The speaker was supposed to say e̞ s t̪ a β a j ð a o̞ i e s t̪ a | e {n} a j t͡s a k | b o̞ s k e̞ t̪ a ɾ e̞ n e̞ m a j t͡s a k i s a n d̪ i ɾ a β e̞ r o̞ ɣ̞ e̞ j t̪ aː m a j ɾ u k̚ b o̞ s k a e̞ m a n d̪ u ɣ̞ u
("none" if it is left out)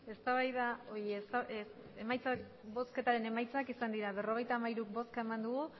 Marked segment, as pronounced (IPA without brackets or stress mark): m